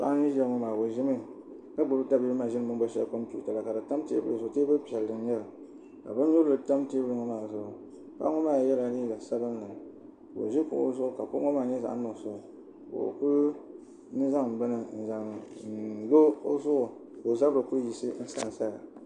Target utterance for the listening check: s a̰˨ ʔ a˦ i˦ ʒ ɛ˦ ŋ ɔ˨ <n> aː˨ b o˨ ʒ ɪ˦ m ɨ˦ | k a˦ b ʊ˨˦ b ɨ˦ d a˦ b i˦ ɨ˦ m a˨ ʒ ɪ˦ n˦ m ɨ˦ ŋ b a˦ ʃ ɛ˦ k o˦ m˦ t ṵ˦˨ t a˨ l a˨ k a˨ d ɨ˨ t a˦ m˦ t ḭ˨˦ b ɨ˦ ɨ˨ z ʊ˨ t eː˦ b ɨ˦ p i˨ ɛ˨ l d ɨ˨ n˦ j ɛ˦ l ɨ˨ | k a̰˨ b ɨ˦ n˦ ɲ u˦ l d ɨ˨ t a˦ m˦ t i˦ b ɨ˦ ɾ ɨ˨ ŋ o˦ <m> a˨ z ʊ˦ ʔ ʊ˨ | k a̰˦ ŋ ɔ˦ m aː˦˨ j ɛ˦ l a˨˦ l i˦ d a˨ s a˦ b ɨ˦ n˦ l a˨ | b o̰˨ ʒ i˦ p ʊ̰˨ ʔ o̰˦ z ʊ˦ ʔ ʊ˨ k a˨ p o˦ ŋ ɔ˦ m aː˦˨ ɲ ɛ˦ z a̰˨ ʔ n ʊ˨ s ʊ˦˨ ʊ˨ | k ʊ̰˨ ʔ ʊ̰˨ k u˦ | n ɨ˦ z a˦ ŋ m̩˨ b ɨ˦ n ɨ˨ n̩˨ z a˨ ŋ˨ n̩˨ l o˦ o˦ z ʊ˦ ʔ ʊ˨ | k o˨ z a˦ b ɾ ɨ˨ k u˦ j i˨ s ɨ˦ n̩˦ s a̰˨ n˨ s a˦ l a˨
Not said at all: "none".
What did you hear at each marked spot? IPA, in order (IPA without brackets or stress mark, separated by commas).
m, m